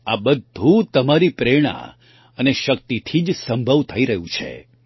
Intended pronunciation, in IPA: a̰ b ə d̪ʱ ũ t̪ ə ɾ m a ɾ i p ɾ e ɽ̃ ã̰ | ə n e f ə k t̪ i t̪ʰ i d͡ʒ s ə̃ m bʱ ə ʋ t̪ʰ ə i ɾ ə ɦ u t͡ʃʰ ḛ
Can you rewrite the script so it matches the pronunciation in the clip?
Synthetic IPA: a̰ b ə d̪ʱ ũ t̪ ə m a ɾ i p ɾ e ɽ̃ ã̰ | ə n e ʃ ə k t̪ i t̪ʰ i d͡ʒ s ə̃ m bʱ ə ʋ t̪ʰ ə i ɾ ə ɦ ũ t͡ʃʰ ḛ